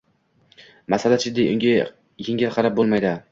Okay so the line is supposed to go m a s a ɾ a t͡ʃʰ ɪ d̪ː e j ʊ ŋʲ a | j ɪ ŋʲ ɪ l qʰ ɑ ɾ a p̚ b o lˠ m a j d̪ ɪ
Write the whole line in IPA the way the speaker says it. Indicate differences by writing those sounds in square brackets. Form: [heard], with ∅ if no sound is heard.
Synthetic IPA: m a s a [l] a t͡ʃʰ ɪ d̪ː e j ʊ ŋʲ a | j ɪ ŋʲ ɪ l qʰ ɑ ɾ a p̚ b o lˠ m a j d̪ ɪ